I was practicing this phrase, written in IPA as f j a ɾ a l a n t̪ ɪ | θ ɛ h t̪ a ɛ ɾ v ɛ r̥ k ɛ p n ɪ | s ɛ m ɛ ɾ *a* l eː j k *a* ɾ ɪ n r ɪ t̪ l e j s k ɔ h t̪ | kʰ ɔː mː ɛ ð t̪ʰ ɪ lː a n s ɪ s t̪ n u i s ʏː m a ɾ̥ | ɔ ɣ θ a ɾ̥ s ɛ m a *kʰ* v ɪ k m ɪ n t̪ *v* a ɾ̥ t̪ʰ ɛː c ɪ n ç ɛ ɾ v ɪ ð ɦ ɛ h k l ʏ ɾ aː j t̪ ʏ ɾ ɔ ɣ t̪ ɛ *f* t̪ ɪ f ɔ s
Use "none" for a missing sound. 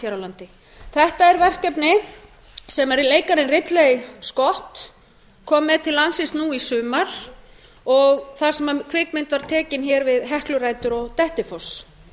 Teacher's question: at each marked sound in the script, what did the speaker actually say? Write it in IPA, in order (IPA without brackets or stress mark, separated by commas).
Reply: i, a, kʰ, v, h